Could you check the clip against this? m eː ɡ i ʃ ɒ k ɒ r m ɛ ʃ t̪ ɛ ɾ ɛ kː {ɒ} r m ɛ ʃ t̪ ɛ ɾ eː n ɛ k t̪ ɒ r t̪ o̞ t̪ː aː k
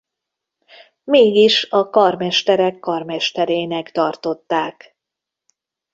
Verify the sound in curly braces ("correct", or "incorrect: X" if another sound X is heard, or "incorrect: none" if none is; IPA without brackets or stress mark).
correct